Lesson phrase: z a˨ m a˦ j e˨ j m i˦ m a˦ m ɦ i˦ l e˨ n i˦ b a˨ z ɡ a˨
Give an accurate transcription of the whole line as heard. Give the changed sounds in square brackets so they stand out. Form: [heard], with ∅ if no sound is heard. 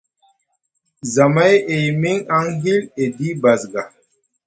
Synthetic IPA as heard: z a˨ m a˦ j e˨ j m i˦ [ŋ] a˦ [ŋ] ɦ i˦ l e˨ [d] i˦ b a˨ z ɡ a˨